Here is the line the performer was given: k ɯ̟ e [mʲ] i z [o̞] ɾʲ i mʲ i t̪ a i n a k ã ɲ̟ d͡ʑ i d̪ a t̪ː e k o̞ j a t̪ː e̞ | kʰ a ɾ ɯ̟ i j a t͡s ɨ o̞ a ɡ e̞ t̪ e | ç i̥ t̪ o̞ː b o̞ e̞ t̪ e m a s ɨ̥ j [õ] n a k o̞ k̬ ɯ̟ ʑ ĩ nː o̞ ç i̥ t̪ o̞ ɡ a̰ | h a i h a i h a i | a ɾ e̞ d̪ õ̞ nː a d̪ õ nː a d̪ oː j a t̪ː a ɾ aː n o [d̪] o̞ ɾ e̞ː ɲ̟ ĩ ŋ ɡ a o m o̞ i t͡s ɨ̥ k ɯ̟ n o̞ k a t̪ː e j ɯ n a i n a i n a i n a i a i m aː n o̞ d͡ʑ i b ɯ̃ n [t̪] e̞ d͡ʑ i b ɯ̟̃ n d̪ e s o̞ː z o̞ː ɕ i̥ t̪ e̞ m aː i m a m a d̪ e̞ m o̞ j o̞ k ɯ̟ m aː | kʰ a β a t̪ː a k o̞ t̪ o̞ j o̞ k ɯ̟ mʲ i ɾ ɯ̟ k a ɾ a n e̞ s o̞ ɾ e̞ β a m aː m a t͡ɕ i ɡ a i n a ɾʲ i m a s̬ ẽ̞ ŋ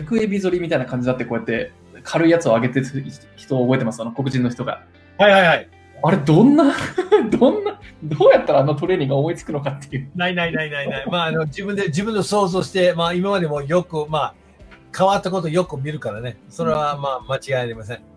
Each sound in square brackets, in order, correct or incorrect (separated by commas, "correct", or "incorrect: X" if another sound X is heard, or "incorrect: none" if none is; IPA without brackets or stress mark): incorrect: bʲ, correct, incorrect: o, incorrect: t̪, incorrect: d̪